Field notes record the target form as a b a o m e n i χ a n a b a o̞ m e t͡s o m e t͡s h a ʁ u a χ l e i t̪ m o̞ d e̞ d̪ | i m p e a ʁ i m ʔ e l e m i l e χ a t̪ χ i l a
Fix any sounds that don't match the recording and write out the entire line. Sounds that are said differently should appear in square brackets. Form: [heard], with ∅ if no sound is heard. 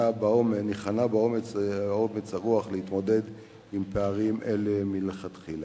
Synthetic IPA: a b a o m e n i χ a n a b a o̞ m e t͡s o m e t͡s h a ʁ u a χ l e i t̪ m o̞ d e̞ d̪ | i m p e a ʁ i m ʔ e l e m i l e χ a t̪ χ i l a